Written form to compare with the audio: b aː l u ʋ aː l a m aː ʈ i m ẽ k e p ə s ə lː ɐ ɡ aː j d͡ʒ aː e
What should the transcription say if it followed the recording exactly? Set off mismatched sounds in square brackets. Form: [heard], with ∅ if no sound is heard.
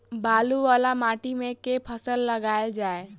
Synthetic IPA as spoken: b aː l u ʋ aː l a m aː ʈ i m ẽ k e [pʰ] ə s ə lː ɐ ɡ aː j d͡ʒ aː e